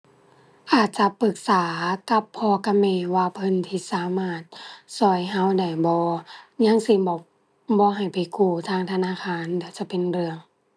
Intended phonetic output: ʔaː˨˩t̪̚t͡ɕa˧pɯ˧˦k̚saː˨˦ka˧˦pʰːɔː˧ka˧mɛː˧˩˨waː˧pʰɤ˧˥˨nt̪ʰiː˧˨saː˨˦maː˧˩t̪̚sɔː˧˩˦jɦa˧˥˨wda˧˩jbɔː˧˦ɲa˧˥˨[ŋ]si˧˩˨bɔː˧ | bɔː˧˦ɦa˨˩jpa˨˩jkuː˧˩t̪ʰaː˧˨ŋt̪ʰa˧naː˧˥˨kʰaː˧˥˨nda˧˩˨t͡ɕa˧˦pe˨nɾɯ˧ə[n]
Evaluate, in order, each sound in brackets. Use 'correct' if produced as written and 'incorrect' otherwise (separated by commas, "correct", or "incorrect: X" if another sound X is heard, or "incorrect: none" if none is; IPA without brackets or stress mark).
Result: correct, incorrect: ŋ